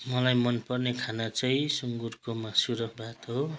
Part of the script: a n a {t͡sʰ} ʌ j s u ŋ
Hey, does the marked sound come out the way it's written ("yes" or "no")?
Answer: no